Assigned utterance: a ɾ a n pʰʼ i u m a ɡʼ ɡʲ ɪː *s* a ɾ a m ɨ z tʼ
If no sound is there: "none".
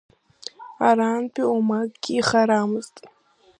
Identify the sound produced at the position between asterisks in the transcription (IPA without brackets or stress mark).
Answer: χ